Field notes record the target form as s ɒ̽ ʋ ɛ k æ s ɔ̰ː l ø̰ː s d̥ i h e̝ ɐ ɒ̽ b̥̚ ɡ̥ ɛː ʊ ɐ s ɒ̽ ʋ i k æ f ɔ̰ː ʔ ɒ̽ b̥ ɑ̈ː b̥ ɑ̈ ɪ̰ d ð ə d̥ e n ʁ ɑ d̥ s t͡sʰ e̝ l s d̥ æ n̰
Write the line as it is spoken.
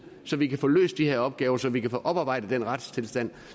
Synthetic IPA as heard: s ɒ̽ ʋ i k æ f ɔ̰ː l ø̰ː s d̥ i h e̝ ɐ ɒ̽ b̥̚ ɡ̥ ɛː ʊ ɐ s ɒ̽ ʋ i k æ f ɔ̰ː ʔ ɒ̽ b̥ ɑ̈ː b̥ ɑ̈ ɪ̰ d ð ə d̥ e n ʁ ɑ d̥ s t͡sʰ e̝ l s d̥ æ n̰